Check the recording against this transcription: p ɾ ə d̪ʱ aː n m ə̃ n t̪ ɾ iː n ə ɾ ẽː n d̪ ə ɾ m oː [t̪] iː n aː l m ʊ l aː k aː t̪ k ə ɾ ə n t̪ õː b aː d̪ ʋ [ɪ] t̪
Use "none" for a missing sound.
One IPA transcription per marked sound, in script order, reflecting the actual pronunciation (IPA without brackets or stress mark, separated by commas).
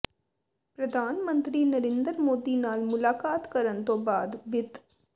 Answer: d̪, ɪ